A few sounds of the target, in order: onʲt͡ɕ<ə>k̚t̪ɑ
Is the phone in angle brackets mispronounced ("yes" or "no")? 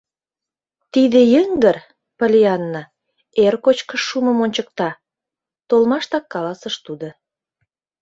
no